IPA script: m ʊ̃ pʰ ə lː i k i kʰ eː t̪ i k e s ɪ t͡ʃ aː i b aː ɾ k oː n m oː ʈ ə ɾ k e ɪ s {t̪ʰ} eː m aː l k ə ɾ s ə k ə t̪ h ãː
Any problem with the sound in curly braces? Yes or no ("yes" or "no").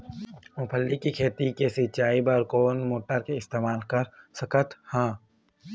yes